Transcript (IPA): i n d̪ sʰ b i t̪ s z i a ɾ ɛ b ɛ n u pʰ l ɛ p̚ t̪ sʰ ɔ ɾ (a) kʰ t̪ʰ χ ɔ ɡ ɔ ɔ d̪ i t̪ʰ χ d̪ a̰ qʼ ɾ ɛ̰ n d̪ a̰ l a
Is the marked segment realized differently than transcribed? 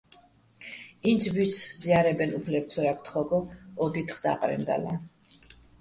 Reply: no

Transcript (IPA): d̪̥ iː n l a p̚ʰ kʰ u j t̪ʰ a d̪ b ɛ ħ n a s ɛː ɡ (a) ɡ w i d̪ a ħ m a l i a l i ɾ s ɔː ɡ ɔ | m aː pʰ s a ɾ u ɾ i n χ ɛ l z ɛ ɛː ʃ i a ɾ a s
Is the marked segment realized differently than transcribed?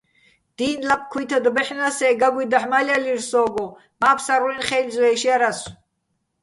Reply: no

